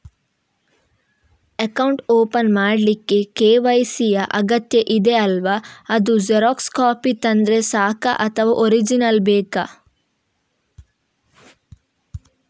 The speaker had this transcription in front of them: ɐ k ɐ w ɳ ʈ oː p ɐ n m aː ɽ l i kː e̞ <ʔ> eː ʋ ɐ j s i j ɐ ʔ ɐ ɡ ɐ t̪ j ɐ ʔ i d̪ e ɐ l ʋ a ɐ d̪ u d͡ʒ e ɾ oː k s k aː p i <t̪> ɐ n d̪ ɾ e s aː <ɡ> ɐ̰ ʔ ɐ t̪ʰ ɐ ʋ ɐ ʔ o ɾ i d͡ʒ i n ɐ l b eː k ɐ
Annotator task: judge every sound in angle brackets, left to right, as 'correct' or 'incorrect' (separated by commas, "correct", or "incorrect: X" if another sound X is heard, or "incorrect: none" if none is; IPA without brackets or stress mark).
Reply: incorrect: k, correct, incorrect: k